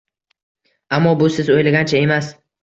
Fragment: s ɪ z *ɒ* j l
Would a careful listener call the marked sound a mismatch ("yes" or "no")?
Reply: yes